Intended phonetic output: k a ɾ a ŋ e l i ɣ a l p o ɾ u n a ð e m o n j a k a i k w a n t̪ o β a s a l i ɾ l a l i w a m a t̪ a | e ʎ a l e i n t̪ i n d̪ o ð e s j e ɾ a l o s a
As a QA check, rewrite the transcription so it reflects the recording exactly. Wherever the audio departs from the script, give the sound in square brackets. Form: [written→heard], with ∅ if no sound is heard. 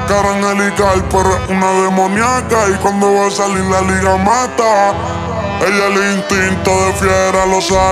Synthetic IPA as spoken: k a ɾ a ŋ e l i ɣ a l p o ɾ u n a ð e m o n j a k a i k w a n [t̪→d̪] o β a s a l i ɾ l a l i [w→ɣ] a m a t̪ a | e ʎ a l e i n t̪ i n [d̪→t̪] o ð e [s→f] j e ɾ a l o s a